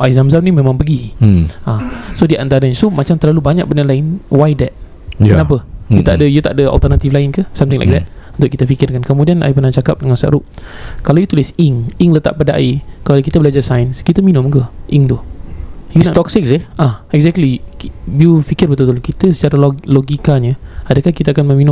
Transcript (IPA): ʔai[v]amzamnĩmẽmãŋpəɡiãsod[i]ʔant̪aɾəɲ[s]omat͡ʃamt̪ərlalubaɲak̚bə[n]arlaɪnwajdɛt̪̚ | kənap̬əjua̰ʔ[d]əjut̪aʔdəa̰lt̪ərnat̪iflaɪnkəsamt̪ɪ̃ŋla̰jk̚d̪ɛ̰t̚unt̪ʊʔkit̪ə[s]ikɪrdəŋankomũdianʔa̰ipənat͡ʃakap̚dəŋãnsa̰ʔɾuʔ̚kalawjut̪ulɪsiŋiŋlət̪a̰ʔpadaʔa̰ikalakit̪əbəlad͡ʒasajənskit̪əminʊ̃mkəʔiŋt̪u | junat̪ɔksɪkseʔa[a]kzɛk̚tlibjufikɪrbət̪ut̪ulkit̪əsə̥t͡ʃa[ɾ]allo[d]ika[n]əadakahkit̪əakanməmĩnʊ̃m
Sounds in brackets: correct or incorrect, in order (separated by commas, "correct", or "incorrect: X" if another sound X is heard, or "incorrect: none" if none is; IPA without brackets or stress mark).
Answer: incorrect: z, correct, correct, correct, correct, incorrect: f, incorrect: ɛ, correct, incorrect: ɡ, incorrect: ɲ